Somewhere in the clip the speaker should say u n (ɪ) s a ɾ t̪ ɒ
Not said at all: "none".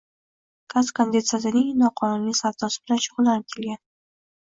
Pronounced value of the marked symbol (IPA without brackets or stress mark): i